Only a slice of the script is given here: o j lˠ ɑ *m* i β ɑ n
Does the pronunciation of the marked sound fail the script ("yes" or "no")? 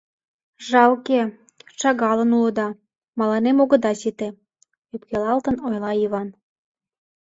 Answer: yes